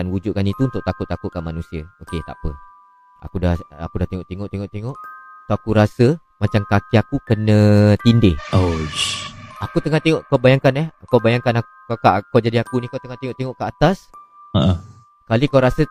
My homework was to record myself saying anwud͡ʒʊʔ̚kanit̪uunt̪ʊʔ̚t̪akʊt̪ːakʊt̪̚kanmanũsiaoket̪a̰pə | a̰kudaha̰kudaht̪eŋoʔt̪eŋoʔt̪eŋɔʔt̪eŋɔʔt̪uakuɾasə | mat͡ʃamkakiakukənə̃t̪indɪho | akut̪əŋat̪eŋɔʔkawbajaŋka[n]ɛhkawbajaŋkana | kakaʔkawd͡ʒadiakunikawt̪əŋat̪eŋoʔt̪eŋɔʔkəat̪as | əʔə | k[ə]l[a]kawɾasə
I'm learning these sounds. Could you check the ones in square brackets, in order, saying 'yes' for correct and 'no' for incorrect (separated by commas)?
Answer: yes, no, no